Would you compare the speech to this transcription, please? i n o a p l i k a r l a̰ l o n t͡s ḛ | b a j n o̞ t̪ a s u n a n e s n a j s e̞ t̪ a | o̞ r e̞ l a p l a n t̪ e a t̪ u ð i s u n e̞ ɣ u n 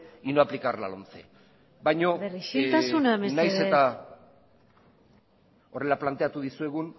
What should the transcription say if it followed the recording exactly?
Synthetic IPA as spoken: i n o a p l i k a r l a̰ l o n t͡s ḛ | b a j ɲ o̞ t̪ a s u n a m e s n a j s e̞ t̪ a | o̞ r e̞ l a p l a n t̪ e a t̪ u ð i s u e̞ ɣ u n